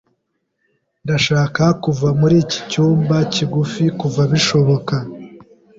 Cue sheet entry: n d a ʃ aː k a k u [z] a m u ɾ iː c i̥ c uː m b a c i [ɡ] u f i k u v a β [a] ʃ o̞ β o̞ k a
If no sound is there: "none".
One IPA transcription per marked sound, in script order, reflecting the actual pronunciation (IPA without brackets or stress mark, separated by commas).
v, ɡ, i